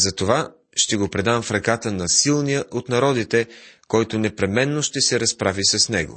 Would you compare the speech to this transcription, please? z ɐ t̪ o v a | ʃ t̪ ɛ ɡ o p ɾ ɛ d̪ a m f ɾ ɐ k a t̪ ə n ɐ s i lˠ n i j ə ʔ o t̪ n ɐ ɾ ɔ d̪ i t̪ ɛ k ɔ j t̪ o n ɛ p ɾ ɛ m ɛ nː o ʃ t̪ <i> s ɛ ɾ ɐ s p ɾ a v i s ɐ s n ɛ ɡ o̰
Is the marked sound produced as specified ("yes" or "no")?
no